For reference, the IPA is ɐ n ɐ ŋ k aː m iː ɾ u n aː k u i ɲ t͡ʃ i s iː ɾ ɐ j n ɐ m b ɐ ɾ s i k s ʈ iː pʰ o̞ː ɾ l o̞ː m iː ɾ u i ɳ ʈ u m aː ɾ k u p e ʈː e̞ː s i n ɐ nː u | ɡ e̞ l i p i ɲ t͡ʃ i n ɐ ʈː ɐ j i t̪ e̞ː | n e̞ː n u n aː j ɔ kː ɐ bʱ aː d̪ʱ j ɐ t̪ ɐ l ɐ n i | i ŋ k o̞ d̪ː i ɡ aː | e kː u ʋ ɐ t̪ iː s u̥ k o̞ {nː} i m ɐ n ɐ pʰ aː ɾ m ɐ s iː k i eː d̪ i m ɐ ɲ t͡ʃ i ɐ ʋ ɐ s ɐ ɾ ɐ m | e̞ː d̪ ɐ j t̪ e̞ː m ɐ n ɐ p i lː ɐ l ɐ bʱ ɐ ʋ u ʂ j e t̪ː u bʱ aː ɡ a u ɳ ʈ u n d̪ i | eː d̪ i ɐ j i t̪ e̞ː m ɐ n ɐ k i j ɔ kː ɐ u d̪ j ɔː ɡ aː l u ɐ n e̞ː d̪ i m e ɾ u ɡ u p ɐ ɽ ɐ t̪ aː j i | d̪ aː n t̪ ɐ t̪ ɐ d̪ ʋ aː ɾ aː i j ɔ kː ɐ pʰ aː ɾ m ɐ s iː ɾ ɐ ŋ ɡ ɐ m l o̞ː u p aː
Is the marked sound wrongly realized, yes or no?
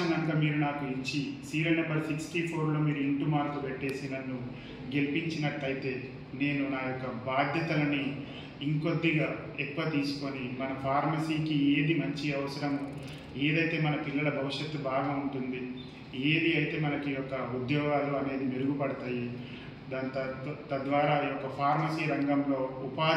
yes